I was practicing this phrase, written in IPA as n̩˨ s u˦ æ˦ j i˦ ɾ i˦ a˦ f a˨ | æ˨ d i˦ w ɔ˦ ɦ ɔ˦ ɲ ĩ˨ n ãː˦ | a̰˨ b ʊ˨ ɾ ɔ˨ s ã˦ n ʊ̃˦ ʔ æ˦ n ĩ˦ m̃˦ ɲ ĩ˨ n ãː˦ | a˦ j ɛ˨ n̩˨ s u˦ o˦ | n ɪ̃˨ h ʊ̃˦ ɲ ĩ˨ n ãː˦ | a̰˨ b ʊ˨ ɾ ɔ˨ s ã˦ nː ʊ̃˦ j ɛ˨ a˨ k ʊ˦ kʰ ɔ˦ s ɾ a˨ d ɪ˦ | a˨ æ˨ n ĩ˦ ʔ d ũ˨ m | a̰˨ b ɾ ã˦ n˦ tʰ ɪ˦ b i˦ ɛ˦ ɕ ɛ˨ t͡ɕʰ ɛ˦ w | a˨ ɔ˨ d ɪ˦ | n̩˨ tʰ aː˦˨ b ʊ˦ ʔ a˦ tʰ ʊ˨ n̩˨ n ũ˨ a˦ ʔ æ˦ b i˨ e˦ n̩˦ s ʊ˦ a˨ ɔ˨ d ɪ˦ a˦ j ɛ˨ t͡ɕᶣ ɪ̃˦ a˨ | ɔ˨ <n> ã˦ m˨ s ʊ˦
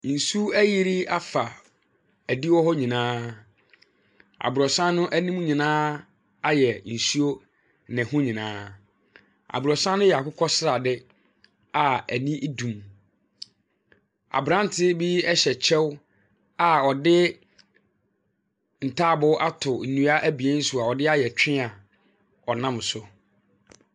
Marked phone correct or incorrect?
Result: correct